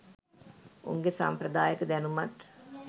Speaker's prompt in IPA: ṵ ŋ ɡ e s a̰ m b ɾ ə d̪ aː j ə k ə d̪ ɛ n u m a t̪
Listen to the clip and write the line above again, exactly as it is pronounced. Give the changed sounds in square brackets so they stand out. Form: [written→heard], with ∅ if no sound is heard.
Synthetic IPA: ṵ ŋ ɡ e s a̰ m [b→p] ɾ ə d̪ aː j ə k ə d̪ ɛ n u m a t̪